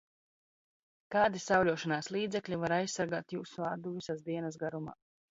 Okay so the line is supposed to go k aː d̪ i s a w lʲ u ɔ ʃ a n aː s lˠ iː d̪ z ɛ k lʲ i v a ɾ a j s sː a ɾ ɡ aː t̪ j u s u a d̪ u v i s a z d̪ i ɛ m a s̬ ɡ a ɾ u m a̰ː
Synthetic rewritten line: k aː d̪ i s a w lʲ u ɔ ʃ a n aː s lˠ iː d̪ z ɛ k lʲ i v a ɾ a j s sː a ɾ ɡ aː t̪ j uː s u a d̪ u v i s a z d̪ i ɛ n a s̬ ɡ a ɾ u m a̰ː